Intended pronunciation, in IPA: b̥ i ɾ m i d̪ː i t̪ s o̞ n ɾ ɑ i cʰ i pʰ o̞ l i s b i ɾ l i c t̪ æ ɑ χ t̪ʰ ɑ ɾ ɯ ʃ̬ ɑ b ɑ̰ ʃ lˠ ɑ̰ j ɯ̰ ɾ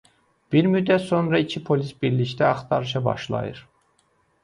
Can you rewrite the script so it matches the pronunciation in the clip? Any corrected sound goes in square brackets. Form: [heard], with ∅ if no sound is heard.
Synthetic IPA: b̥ i ɾ m [y] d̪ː [æ] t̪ s o̞ n ɾ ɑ i cʰ i pʰ o̞ l i s b i ɾ l i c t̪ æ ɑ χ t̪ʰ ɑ ɾ ɯ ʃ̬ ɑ b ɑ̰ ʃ lˠ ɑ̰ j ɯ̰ ɾ